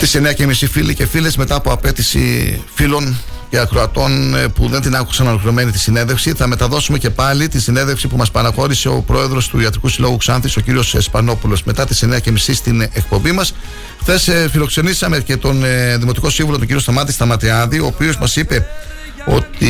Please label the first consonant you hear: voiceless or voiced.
voiceless